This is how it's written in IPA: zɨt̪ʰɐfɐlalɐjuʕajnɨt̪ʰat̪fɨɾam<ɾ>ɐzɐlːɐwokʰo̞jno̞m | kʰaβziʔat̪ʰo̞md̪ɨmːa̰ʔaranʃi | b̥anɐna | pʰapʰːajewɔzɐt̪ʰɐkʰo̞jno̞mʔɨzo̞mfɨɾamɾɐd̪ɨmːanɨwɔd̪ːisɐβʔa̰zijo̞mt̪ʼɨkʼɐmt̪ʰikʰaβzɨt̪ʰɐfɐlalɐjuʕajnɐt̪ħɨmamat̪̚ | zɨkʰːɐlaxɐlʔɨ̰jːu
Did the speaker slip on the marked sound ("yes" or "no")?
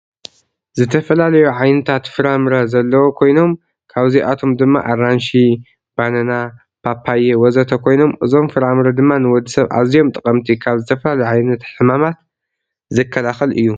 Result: no